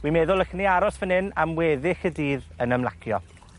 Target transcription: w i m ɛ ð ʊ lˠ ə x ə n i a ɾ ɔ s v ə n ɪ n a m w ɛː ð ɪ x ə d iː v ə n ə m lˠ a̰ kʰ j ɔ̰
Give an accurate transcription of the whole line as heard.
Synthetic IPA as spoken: w i m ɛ ð ʊ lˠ ə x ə n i a ɾ ɔ s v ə n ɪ n a m w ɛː ð ɪ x ə d iː ð ə n ə m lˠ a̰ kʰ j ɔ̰